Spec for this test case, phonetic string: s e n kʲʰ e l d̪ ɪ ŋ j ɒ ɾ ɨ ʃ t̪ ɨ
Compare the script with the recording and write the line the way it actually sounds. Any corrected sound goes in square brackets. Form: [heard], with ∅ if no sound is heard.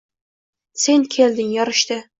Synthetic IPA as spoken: s e n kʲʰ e l d̪ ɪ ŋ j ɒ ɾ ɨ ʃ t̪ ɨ